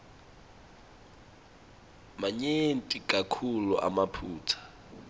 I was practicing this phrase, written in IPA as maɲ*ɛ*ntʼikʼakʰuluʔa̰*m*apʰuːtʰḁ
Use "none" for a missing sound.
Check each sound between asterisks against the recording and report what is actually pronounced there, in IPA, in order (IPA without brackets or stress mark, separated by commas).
e, m